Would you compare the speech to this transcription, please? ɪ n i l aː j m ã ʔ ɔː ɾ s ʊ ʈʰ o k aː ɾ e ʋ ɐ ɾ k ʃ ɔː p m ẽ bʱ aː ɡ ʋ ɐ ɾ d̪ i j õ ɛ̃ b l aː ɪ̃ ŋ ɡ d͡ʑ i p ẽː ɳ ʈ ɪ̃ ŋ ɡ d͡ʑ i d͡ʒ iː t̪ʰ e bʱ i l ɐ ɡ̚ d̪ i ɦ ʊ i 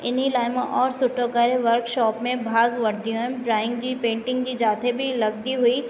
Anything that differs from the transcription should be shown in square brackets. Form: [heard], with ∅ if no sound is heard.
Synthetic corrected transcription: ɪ n i l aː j m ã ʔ ɔː ɾ s ʊ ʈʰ o k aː ɾ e ʋ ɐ ɾ k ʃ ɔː p m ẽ bʱ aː ɡ ʋ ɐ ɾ d̪ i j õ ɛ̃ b [ɾ] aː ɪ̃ ŋ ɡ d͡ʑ i p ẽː ɳ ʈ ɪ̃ ŋ ɡ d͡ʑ i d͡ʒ [aː] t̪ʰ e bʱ i l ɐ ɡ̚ d̪ i ɦ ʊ i